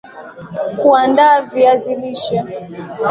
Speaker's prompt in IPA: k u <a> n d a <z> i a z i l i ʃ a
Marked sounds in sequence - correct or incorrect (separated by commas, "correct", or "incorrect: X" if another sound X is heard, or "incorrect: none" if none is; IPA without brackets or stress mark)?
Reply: correct, incorrect: v